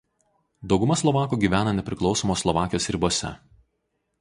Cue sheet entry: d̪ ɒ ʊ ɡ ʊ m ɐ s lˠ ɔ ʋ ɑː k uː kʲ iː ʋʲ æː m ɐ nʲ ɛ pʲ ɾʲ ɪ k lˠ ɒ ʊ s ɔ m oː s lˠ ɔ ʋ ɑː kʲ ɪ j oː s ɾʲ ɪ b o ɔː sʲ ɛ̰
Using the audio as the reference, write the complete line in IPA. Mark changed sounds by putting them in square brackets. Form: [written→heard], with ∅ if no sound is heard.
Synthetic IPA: d̪ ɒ ʊ ɡ ʊ m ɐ s lˠ ɔ ʋ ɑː k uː [kʲ→ɡʲ] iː ʋʲ æː [m→n] ɐ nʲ ɛ pʲ ɾʲ ɪ k lˠ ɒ ʊ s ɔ m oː s lˠ ɔ ʋ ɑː kʲ ɪ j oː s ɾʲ ɪ b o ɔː sʲ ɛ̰